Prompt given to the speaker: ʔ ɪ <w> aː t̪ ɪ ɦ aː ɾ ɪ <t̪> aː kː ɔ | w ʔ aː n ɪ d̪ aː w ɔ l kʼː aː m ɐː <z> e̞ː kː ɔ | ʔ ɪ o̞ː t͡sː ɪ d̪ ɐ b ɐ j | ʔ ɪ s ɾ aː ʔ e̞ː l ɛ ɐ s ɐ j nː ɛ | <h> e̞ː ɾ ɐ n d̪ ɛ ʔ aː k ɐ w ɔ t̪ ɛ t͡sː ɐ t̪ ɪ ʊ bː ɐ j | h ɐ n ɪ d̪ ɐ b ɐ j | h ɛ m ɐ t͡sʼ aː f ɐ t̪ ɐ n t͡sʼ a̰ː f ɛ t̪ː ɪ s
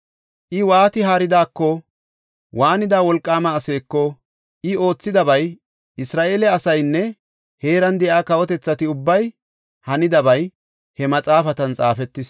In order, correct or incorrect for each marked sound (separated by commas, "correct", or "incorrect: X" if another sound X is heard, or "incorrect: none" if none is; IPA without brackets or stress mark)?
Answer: correct, incorrect: d̪, incorrect: s, correct